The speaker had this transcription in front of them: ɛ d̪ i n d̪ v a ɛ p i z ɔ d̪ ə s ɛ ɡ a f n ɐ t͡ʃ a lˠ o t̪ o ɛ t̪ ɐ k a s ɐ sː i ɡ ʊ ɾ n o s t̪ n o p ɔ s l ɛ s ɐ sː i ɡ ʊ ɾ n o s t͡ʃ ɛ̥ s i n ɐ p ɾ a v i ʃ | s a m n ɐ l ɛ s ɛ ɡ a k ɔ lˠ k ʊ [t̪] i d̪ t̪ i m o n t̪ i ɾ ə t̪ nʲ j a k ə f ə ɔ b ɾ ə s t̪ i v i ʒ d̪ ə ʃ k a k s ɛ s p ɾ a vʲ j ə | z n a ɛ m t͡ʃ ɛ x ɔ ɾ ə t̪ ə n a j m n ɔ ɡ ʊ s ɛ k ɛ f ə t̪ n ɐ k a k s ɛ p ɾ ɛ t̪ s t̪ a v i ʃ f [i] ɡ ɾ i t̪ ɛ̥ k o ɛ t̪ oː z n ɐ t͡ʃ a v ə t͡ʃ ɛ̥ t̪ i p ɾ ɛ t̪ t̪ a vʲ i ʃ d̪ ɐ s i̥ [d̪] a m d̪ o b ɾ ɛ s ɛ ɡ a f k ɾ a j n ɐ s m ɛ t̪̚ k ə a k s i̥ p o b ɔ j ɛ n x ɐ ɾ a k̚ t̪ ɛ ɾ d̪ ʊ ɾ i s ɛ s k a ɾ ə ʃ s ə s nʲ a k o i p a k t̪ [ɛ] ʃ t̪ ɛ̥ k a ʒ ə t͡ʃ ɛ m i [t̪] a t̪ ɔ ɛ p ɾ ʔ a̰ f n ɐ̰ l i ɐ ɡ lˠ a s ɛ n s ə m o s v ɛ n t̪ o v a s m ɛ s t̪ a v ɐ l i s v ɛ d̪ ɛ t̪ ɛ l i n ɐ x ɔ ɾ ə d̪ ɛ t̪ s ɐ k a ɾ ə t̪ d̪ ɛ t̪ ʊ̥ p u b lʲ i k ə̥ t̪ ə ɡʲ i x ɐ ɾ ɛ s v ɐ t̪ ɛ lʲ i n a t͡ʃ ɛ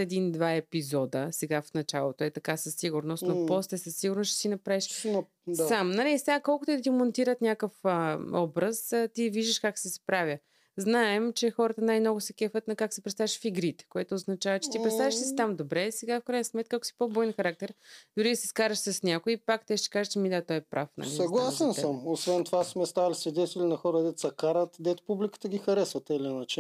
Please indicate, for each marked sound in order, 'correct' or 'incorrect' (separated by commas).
correct, correct, incorrect, correct, incorrect